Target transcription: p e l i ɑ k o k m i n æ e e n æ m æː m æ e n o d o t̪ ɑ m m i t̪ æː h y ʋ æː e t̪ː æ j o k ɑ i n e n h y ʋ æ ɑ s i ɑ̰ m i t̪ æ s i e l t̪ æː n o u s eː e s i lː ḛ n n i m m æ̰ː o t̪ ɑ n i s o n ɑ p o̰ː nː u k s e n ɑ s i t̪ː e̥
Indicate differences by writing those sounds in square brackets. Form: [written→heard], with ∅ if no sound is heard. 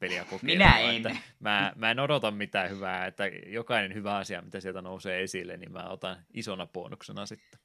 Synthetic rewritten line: p e l i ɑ k o k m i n æ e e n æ m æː m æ e n o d o t̪ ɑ m m i t̪ æː h y ʋ æː e t̪ː æ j o k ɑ i n e n h y ʋ æ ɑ s i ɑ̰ m i t̪ æ s i e l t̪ [æː→æ] n o u s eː e s i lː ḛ n n i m m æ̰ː o t̪ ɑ n i s o n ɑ p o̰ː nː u k s e n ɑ s i t̪ː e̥